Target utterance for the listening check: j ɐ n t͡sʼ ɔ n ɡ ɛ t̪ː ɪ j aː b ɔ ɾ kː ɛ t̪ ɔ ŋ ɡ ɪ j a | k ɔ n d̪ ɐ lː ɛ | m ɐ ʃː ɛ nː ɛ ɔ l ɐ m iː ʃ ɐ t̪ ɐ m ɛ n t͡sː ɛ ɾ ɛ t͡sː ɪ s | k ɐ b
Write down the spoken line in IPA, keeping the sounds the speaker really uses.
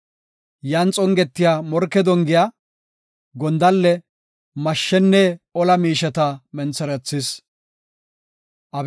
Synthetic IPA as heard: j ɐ n t͡sʼ ɔ ŋ ɡ ɛ t̪ː ɪ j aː m ɔ ɾ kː ɛ d̪ ɔ ŋ ɡ ɪ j a | ɡ ɔ n d̪ ɐ lː ɛ | m ɐ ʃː ɛ nː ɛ ɔ l ɐ m iː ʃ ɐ t̪ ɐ m ɛ n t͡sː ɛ ɾ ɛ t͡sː ɪ s | ʔ ɐ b